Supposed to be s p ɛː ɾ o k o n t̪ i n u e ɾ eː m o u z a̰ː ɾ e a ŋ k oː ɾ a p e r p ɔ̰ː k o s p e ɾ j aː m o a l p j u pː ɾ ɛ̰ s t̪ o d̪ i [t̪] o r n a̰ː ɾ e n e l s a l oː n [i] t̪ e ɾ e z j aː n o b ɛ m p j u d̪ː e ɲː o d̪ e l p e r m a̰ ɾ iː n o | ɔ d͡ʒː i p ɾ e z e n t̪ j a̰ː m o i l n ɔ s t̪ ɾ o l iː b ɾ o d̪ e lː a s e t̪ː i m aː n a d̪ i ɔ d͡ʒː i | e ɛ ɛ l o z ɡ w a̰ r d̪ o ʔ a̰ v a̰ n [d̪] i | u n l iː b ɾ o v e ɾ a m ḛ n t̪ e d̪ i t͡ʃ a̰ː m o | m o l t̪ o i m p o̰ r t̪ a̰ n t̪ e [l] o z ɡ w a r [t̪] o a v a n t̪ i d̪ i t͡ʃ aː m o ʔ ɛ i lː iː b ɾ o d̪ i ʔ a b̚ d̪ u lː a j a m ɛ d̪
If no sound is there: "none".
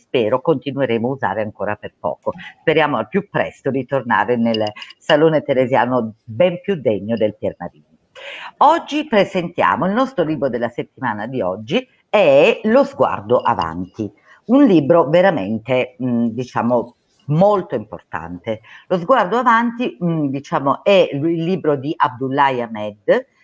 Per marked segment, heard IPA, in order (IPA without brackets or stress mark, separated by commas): t̪, e, t̪, l, d̪